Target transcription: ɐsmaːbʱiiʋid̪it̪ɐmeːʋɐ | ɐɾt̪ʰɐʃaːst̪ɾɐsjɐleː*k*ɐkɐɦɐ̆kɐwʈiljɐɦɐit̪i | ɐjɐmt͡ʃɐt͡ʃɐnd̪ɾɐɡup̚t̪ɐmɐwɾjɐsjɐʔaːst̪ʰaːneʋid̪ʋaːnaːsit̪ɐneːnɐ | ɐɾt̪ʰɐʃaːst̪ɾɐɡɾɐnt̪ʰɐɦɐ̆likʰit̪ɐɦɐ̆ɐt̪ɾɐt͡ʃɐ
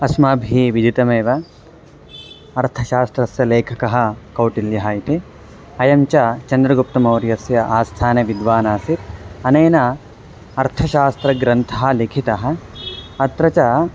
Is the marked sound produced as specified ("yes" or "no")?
no